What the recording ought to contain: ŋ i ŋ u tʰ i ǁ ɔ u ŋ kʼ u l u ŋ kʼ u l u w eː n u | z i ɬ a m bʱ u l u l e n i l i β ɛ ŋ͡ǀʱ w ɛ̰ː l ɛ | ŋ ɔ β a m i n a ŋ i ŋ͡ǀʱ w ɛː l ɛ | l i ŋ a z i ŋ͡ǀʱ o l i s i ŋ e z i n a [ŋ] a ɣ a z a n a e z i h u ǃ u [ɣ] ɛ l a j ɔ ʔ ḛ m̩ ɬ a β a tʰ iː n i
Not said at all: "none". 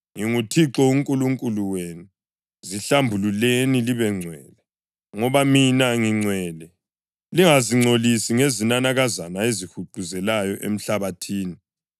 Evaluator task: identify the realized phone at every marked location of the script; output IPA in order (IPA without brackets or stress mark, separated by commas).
n, z